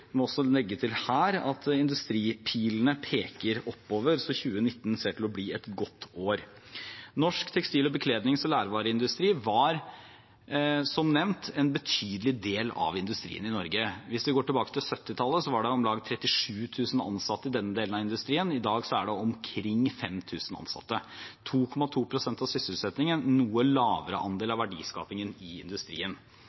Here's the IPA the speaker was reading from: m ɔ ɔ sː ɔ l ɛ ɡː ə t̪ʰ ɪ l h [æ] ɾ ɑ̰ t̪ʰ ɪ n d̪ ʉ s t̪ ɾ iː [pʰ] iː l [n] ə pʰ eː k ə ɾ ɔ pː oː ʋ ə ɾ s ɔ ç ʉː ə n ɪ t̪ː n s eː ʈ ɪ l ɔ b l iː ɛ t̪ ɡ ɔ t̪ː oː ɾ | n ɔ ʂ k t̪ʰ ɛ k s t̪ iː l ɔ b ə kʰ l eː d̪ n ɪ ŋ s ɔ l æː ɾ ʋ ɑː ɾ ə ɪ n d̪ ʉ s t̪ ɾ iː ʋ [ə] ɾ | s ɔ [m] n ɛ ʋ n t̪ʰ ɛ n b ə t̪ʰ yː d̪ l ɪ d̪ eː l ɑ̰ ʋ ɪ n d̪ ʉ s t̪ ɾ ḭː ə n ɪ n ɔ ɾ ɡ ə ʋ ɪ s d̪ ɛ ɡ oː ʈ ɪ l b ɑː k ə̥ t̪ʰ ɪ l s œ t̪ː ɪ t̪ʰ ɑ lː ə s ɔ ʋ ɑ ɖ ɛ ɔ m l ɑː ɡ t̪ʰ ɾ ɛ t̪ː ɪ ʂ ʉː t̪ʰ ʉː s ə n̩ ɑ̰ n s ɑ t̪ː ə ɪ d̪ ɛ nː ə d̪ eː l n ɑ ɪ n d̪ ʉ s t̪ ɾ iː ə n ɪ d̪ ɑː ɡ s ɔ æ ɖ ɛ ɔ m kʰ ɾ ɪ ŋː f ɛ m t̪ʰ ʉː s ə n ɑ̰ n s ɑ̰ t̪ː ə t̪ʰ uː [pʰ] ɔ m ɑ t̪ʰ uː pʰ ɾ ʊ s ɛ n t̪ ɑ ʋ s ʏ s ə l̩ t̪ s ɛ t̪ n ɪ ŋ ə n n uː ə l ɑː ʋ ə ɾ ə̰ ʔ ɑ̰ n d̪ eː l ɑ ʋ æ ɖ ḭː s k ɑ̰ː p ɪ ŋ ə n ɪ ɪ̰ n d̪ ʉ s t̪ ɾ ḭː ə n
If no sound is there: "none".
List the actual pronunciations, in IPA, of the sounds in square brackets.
æː, pʰ, n, ɑ, m, kʰ

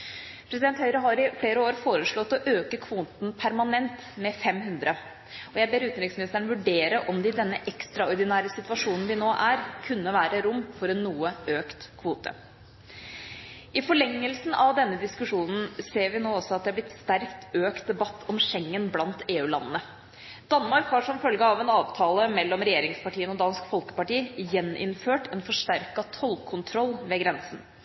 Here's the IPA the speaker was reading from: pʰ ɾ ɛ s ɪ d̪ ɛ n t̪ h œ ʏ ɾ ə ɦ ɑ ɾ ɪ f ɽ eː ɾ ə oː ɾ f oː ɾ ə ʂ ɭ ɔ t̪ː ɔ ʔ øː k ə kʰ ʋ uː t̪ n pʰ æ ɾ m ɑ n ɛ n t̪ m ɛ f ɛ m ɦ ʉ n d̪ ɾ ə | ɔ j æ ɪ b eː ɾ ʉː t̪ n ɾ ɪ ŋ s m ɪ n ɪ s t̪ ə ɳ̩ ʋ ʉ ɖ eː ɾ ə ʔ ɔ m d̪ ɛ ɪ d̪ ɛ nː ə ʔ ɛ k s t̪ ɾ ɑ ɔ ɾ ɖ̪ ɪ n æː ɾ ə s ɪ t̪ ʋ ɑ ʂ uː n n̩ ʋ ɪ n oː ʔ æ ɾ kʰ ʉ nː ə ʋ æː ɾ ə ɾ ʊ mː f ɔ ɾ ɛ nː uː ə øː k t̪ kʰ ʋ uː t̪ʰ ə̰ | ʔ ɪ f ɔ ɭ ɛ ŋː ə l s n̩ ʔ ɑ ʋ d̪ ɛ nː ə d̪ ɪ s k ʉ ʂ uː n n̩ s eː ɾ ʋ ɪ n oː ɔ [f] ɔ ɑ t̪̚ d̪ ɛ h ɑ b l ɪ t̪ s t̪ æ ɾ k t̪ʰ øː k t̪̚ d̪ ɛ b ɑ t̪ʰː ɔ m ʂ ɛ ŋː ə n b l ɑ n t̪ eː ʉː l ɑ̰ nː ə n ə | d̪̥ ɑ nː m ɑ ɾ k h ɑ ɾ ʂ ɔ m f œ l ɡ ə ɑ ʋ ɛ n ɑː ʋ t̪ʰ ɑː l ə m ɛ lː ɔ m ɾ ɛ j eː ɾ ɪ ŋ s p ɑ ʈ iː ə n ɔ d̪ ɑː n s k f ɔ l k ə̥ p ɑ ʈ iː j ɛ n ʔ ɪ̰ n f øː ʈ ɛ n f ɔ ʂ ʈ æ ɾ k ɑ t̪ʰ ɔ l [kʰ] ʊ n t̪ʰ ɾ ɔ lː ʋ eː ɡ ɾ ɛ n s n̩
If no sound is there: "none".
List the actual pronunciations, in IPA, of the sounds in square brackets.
s, kʰ

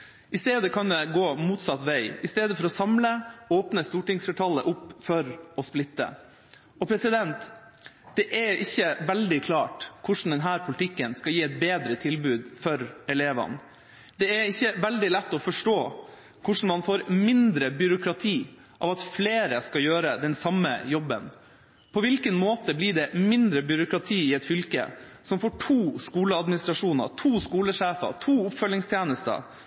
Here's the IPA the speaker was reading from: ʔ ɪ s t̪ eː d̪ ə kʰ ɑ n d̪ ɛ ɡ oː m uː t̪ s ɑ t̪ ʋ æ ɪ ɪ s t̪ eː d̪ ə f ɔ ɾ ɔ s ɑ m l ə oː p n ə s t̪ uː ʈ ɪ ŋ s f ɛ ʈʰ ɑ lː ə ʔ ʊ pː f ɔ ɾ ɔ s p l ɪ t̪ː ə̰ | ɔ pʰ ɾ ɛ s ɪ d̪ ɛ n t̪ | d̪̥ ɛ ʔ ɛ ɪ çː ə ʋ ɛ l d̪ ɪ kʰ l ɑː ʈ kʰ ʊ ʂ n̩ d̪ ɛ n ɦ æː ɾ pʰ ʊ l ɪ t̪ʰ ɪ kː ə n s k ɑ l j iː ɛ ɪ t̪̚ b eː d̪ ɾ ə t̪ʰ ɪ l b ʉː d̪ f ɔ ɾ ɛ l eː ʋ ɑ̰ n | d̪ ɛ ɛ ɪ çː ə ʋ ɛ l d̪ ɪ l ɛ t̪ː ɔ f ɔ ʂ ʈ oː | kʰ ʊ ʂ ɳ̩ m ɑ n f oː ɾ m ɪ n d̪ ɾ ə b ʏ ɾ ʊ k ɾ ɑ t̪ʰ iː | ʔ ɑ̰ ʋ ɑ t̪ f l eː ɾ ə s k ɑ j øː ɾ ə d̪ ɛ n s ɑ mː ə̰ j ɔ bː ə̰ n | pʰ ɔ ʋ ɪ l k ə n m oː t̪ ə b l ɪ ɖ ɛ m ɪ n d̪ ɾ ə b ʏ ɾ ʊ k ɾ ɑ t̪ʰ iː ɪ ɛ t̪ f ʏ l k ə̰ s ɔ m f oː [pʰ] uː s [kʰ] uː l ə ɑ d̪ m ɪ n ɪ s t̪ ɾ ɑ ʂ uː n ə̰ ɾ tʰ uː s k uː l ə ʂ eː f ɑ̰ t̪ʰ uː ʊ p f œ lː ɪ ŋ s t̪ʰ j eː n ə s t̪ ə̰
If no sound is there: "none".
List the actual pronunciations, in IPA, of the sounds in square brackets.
ʈʰ, k

